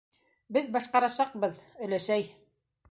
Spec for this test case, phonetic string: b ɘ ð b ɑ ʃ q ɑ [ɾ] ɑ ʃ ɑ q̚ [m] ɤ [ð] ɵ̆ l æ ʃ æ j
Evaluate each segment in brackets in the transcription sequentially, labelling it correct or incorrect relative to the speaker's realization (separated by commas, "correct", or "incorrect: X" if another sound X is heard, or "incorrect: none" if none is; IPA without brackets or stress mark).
correct, incorrect: b, correct